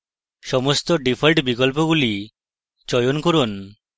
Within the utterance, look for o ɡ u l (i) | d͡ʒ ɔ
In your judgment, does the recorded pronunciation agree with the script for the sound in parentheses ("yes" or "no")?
yes